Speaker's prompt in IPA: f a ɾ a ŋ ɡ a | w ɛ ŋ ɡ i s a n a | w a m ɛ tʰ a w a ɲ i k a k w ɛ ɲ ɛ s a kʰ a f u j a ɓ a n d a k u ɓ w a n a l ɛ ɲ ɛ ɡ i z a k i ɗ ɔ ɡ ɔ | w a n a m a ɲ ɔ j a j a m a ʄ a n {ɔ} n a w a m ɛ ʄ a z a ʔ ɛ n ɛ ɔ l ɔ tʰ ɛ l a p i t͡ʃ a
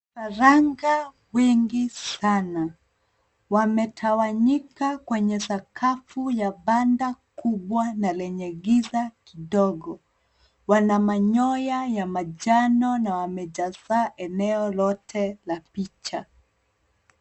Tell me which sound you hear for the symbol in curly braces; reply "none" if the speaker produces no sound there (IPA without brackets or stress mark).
ɔ